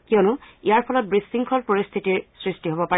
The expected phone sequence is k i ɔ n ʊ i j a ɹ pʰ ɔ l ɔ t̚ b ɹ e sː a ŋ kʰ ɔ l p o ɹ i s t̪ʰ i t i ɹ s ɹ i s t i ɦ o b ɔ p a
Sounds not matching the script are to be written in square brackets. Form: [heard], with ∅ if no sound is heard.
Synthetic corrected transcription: k i ɔ n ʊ i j a ɹ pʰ ɔ l ɔ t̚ b ɹ [i] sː [i] ŋ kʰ ɔ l p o ɹ i s t̪ʰ i t i ɹ s ɹ i s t i ɦ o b ɔ p a